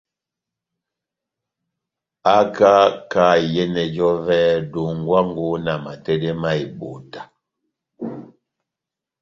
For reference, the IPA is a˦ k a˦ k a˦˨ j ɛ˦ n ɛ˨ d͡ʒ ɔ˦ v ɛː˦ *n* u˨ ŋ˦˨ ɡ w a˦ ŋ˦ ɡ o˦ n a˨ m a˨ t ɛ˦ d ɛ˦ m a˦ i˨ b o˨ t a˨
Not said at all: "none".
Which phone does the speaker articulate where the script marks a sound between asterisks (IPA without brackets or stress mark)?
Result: d